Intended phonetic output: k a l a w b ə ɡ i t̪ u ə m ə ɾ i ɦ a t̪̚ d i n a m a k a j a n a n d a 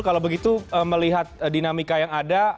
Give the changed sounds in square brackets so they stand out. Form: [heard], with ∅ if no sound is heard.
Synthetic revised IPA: k a l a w b ə ɡ i t̪ u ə m ə [l] i ɦ a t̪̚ d i n a m [i] k a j a [ŋ] a [∅] d a